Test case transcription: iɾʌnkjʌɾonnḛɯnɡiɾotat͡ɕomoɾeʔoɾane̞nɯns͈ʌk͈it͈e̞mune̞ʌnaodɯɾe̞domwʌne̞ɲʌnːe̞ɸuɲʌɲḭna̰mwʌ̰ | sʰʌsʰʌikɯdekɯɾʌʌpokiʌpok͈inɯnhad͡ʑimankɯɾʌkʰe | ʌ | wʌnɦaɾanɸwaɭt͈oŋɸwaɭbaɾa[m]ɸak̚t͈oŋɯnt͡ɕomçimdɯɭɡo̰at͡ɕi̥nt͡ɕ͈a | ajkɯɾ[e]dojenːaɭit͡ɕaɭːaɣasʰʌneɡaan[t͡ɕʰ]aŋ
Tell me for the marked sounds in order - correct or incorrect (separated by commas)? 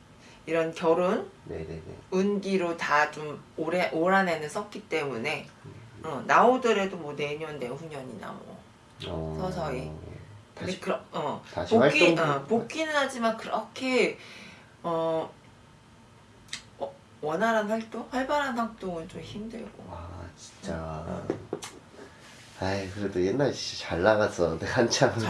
incorrect, correct, correct